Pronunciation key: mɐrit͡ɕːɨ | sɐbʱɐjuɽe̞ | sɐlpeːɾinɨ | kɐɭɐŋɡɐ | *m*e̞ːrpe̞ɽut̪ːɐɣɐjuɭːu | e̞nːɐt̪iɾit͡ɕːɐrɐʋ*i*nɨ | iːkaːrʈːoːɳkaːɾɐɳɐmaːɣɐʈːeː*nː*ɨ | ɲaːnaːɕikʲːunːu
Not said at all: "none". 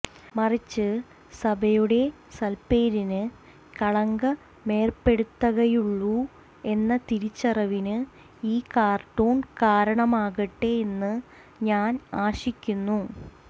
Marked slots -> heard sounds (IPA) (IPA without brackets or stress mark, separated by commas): m, i, nː